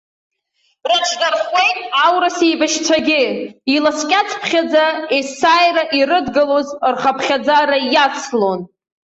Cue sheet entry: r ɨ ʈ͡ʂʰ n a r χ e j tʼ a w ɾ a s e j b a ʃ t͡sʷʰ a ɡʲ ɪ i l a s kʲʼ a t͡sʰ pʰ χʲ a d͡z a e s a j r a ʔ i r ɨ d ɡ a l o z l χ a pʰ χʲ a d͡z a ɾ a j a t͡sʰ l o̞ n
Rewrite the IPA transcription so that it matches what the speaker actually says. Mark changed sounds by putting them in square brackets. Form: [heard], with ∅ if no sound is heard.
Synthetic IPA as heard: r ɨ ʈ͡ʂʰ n a r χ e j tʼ a w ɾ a s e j b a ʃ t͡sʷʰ a ɡʲ ɪ i l a s kʲʼ a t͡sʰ pʰ χʲ a d͡z a e s a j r a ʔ i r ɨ d ɡ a l o z [r] χ a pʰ χʲ a d͡z a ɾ a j a t͡sʰ l o̞ n